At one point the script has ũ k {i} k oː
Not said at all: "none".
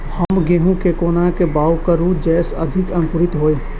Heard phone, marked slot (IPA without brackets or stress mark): e